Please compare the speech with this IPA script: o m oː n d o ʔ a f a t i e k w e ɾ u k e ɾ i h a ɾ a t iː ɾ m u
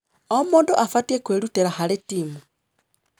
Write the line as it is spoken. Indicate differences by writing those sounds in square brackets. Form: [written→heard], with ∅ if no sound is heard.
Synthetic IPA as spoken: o m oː n d o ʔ a f a t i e k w e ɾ u [k→t] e ɾ [i→a] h a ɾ [a→e] t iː [ɾ→∅] m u